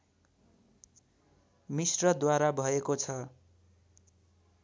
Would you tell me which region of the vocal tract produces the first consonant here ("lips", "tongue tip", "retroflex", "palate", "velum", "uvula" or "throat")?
lips